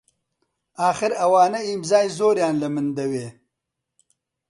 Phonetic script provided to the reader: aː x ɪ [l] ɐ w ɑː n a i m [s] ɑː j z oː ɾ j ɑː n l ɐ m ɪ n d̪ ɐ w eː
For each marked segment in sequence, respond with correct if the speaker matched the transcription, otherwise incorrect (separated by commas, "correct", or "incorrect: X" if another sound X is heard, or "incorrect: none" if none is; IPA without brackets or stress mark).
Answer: incorrect: ɾ, incorrect: z